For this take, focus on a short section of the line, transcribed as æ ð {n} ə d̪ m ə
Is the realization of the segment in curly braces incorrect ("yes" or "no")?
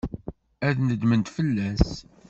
no